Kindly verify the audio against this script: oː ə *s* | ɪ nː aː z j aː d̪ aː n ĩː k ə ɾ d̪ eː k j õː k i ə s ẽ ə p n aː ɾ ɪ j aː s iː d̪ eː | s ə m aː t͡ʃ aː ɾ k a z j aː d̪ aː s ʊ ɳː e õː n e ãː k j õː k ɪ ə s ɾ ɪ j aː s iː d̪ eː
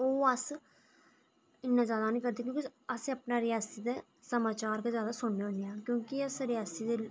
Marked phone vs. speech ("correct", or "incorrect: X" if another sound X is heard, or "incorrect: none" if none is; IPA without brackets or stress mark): correct